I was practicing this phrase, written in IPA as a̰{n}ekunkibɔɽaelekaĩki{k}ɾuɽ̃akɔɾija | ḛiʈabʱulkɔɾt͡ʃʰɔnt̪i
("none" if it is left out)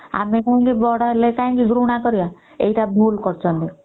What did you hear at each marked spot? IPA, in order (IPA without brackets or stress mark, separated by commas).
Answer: m, ɡ